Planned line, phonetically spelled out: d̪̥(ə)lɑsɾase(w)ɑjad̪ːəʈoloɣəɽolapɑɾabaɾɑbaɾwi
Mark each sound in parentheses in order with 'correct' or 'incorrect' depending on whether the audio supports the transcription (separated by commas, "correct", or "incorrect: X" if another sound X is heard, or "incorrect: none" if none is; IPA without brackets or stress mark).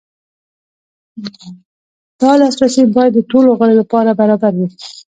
incorrect: ɑ, incorrect: b